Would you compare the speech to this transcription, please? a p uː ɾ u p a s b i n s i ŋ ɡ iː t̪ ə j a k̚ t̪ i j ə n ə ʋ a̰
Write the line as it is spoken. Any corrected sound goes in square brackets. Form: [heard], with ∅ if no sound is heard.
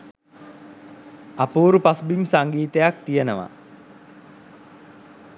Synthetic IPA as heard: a p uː ɾ u p a s b i [m] s [a] ŋ ɡ iː t̪ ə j a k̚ t̪ i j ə n ə ʋ a̰